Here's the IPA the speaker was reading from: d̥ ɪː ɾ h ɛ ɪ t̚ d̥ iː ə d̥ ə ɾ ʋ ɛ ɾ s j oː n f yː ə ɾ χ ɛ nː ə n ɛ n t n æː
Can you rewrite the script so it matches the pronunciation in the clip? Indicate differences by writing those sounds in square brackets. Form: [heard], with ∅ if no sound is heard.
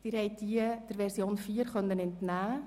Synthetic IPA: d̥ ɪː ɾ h ɛ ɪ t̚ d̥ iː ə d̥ ə ɾ ʋ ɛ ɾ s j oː n f [iː] ə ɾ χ [œ] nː ə n ɛ n t n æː